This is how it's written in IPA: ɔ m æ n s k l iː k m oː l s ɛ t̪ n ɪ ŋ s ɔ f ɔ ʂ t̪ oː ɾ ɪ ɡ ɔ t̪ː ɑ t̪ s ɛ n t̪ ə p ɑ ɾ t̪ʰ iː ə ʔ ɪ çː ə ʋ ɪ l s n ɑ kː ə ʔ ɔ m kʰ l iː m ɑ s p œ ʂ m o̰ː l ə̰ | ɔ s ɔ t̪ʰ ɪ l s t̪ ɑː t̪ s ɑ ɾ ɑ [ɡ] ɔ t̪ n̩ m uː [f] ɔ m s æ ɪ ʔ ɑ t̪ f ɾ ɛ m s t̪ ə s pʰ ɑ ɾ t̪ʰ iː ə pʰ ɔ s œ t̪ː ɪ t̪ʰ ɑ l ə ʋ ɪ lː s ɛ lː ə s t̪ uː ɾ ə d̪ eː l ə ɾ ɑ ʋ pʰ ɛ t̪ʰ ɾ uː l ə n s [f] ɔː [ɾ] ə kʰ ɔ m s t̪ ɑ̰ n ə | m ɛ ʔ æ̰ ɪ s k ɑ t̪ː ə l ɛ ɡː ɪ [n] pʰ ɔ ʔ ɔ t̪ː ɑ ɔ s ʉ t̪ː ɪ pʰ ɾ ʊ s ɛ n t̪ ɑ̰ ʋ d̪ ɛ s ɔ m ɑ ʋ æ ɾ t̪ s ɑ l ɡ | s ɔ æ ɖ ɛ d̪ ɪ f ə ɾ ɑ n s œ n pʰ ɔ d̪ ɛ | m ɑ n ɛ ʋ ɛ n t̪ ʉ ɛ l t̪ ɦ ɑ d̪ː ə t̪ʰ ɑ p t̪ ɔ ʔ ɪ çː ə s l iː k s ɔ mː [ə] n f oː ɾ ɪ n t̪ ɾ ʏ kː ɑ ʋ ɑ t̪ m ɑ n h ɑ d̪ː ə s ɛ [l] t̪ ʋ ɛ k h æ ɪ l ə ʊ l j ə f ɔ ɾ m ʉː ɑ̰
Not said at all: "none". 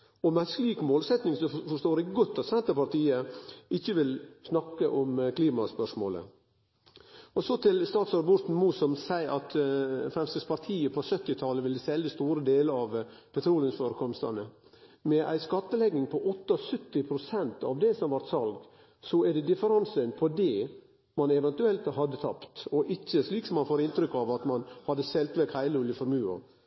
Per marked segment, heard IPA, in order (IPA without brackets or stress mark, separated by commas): b, s, f, ɾ, ŋ, ɑ, l